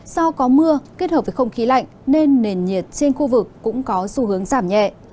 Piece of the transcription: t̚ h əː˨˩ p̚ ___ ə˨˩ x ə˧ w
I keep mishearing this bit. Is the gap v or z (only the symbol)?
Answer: v